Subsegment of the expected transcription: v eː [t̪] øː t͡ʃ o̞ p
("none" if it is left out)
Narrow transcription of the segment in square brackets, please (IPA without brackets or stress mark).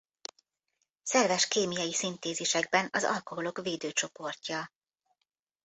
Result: d̪